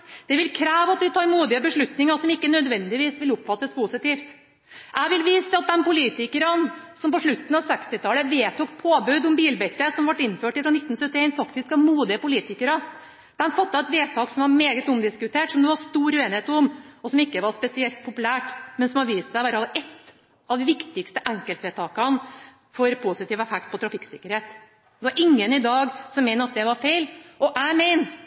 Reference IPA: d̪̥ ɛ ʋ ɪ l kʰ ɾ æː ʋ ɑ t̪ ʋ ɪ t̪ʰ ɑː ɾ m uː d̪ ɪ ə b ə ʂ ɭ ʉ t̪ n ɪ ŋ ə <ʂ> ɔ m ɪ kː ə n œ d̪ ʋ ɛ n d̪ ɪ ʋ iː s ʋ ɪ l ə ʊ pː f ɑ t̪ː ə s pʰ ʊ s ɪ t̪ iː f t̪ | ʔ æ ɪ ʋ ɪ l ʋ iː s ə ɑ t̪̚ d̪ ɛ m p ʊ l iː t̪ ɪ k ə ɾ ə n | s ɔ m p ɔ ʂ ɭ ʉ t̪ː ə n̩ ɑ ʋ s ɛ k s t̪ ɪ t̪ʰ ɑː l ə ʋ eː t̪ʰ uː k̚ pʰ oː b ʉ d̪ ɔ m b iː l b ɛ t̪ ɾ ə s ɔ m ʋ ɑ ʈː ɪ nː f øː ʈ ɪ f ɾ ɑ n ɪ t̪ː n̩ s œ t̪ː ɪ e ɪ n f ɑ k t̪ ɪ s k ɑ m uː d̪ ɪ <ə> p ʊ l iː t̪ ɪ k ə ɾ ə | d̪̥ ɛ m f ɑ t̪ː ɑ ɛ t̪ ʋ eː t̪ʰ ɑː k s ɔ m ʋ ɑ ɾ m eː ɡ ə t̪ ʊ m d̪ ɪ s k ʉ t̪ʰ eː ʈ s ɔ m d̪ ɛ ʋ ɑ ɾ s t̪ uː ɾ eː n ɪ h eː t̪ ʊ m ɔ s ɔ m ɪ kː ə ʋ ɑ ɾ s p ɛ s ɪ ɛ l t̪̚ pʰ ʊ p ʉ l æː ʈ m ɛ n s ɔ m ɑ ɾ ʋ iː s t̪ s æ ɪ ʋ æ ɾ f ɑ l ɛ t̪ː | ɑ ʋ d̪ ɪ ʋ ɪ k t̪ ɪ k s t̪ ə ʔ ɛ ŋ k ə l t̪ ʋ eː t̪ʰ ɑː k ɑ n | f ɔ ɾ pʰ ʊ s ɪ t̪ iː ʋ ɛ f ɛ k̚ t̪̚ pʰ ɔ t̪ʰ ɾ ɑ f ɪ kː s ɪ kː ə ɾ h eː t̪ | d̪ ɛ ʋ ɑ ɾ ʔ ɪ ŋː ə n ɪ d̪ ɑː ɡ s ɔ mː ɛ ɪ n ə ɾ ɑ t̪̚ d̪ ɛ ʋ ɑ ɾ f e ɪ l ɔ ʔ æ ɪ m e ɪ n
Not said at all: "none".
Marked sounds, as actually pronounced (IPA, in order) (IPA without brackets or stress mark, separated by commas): s, ə